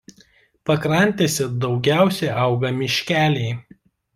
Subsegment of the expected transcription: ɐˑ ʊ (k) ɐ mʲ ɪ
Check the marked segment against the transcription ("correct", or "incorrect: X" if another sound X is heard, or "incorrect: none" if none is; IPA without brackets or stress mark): incorrect: ɡ